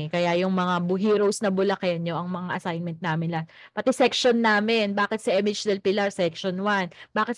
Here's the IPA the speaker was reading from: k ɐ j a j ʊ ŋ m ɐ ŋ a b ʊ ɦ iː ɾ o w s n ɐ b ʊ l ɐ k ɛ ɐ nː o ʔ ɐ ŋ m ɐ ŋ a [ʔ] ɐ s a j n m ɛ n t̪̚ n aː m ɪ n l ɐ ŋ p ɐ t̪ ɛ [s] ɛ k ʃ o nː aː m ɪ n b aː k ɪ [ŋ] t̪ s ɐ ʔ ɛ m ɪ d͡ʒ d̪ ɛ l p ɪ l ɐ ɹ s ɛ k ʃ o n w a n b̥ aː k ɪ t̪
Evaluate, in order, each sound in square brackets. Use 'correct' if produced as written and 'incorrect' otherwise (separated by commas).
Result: correct, correct, incorrect